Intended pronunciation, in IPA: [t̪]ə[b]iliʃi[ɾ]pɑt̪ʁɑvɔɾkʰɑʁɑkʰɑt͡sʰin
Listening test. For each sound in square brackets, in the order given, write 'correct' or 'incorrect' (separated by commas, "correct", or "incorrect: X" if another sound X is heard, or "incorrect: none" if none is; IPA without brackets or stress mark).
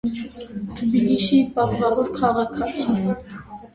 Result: incorrect: t̪ʰ, correct, incorrect: none